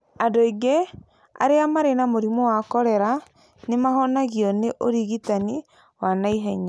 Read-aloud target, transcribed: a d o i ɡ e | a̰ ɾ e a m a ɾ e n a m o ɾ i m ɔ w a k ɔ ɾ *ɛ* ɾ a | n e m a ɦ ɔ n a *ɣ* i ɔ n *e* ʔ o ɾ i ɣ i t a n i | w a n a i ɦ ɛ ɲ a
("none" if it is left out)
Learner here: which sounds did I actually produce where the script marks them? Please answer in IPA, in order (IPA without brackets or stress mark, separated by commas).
ɛ, ɣ, e